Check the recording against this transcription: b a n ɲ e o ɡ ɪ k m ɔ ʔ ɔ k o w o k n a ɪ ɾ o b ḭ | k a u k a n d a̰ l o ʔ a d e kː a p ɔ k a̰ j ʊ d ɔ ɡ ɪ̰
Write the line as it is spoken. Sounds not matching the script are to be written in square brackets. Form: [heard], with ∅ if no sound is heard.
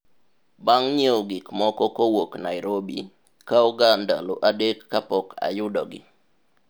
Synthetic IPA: b a [ŋ] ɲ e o ɡ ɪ k m ɔ [k] ɔ k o w o k n a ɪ ɾ o b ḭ | k a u [ɡ] a n d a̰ l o ʔ a d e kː a p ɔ k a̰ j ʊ d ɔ ɡ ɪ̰